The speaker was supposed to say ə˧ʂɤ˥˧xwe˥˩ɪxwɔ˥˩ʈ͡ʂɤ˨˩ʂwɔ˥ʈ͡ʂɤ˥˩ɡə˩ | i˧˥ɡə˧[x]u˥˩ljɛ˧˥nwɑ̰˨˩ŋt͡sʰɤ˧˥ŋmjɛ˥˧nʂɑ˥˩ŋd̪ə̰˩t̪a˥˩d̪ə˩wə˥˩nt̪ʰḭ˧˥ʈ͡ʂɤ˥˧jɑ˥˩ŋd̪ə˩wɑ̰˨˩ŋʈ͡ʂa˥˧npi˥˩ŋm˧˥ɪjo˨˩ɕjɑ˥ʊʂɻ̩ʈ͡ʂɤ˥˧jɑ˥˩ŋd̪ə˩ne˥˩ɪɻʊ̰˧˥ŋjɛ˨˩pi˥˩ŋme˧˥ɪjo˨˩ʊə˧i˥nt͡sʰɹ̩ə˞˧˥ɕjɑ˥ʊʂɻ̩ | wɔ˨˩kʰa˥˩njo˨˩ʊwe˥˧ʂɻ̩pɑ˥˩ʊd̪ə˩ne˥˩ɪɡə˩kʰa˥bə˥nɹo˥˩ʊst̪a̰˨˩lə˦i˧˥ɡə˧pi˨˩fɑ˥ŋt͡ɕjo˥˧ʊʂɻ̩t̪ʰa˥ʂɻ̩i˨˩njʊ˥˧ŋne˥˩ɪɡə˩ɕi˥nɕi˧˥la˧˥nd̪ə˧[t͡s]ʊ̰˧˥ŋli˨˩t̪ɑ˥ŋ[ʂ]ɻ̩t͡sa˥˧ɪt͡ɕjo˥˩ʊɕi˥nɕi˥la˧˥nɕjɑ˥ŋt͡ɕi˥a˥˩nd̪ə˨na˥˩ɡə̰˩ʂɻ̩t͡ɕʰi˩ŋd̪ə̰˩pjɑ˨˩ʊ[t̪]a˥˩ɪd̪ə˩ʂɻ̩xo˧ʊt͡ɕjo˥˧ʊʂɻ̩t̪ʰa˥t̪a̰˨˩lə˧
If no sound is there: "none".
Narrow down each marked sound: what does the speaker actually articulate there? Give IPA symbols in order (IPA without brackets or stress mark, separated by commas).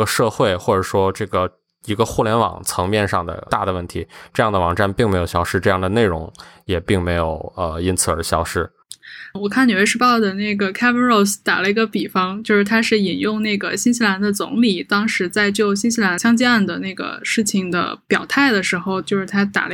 x, t͡s, ʂ, t̪ʰ